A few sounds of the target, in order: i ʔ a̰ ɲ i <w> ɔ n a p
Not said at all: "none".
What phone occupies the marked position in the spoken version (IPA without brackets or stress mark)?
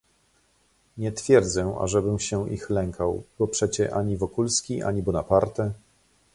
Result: b